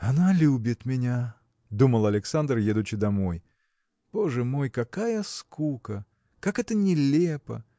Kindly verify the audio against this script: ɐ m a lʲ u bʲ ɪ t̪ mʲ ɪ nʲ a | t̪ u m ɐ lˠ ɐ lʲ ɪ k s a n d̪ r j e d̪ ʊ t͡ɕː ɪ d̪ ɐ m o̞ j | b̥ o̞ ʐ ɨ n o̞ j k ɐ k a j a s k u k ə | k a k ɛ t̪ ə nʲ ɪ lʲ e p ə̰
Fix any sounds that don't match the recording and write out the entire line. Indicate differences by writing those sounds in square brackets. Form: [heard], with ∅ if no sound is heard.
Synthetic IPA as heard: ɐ [n] a lʲ u bʲ ɪ t̪ mʲ ɪ nʲ a | [d̪] u m [ə] lˠ ɐ lʲ ɪ k s a n d̪ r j e d̪ ʊ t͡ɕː ɪ d̪ ɐ m o̞ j | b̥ o̞ ʐ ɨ [m] o̞ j k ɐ k a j [ə] s k u k ə | k a k ɛ t̪ ə nʲ ɪ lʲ e p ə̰